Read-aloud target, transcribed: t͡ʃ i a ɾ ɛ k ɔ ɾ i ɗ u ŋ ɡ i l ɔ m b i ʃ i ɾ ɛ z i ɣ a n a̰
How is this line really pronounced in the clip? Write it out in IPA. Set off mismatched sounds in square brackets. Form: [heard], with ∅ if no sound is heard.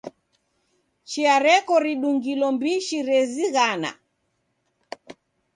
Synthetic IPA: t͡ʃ i a ɾ ɛ k ɔ ɾ i ɗ u ŋ ɡ i l ɔ m b i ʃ i ɾ ɛ z i ɣ a n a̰